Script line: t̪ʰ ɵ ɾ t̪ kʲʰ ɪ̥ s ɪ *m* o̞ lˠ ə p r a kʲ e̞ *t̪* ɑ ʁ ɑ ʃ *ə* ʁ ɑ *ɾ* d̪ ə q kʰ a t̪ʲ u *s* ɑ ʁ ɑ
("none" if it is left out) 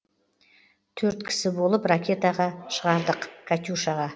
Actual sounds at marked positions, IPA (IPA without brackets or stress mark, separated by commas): b, t̪, ə, ɾ, ʃ